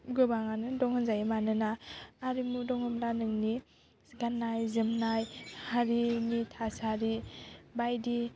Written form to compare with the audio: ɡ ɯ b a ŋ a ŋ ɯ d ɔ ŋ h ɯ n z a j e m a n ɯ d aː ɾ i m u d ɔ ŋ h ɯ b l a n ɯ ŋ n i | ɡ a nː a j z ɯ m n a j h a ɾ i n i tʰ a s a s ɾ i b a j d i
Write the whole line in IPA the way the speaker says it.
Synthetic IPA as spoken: ɡ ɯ b a ŋ a n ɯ d ɔ ŋ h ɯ n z a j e m a n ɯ n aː ɾ i m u d ɔ ŋ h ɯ m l a n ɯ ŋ n i | ɡ a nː a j z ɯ m n a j h a ɾ i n i tʰ a s a ɾ i b a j d i